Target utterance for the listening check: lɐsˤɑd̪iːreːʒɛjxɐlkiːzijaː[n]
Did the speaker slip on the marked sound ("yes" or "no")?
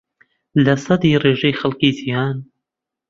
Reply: no